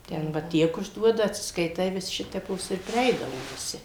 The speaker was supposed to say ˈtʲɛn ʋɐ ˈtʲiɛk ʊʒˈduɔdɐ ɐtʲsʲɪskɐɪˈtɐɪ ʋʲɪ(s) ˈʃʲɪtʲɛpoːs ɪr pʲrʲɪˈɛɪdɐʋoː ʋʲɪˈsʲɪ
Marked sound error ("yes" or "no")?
no